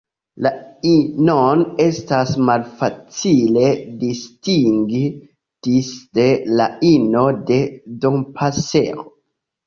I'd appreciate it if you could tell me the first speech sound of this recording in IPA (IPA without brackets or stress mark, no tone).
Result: l